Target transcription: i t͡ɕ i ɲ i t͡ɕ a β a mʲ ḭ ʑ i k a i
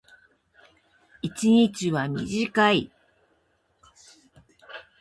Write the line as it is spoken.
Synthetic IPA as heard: i t͡ɕ i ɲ i t͡ɕ i β a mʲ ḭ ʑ i k a i